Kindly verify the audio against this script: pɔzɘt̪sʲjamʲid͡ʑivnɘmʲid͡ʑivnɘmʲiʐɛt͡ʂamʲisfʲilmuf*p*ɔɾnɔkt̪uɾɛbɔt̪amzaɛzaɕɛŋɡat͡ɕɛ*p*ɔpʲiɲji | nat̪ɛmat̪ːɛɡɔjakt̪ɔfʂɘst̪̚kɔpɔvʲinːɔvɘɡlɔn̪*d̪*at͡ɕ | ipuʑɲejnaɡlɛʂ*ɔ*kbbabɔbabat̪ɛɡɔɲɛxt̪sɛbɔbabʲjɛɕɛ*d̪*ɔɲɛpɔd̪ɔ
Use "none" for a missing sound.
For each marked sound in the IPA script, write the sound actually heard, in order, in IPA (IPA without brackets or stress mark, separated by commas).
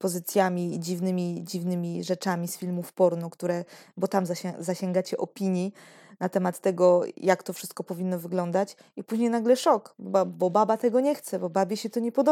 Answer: p, ʔ, d̪, ɔ, t̪